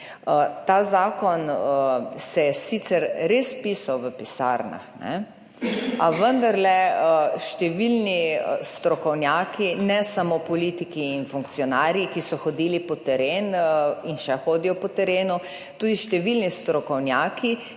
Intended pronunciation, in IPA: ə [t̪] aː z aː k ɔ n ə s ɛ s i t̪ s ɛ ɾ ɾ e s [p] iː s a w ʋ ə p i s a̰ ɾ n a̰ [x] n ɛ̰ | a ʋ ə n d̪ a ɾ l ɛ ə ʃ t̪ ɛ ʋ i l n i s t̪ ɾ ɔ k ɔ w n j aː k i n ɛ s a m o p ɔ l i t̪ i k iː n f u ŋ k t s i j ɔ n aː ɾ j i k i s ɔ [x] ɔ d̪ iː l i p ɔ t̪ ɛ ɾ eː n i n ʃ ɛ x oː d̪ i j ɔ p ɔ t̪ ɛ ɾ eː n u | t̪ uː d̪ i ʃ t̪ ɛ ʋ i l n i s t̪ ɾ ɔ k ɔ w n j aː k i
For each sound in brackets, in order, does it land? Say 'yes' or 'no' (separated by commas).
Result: yes, yes, yes, yes